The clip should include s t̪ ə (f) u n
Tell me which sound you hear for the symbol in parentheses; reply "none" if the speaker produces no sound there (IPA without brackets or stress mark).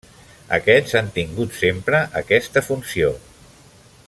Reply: f